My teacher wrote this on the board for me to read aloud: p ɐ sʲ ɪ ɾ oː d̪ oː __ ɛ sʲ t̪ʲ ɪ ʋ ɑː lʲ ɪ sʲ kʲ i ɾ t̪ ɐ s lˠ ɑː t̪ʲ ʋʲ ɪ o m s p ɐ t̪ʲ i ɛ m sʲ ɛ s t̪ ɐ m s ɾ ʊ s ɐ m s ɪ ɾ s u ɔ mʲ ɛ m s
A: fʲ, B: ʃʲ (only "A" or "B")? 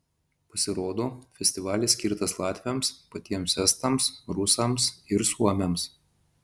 A